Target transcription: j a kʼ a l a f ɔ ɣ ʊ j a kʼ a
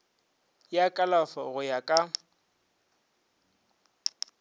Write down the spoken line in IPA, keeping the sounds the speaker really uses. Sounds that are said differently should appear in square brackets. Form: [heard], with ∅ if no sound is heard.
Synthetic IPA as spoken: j a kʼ a l a f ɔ ɣ ʊ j a kʼ a